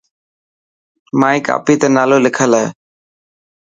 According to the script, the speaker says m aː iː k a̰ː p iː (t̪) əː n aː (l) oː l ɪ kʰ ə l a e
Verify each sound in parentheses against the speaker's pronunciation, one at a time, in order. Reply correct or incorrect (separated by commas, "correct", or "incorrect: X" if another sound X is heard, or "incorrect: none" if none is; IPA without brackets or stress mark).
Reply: correct, correct